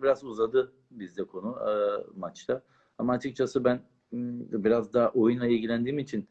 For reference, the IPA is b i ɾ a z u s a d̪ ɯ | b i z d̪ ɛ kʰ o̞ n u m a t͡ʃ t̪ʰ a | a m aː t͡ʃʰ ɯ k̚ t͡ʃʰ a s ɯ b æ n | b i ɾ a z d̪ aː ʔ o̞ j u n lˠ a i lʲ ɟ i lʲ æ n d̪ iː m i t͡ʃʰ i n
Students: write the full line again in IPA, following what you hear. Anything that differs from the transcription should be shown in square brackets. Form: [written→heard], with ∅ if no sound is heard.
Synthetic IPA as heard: b i ɾ a z u [s→z] a d̪ ɯ | b i z d̪ ɛ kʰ o̞ n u m a t͡ʃ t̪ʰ a | a m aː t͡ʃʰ ɯ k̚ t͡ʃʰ a s ɯ b æ n | b i ɾ a z d̪ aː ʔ o̞ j u n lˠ a i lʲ ɟ i lʲ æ n d̪ iː m i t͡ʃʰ i n